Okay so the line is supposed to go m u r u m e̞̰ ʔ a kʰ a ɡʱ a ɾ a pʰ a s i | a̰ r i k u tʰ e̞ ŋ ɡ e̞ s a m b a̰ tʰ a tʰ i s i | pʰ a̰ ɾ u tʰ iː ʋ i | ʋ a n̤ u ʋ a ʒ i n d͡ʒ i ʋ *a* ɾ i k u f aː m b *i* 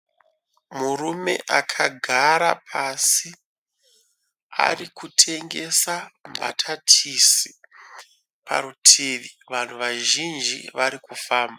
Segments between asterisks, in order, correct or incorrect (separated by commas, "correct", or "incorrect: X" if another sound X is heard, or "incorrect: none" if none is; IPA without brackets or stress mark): correct, incorrect: a